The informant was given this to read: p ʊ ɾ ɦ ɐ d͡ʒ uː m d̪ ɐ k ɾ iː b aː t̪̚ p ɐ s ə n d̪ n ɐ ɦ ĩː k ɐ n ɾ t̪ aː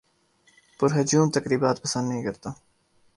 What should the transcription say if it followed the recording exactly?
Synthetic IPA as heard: p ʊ ɾ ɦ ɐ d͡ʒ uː m t̪ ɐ k ɾ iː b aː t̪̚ p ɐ s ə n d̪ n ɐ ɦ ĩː k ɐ ɾ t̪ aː